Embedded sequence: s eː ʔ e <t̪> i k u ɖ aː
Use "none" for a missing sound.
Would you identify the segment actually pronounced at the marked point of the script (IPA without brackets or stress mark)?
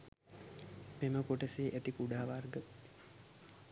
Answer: t̪